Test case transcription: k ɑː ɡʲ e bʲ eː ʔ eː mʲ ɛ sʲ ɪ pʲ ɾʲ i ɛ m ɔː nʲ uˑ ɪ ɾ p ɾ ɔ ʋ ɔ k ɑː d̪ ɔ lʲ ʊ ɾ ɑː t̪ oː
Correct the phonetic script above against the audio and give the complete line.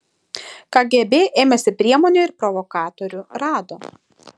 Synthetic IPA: k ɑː ɡʲ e bʲ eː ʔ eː mʲ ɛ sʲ ɪ pʲ ɾʲ i ɛ m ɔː nʲ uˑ ɪ ɾ p ɾ ɔ ʋ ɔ k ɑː t̪ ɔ ɾʲ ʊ ɾ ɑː d̪ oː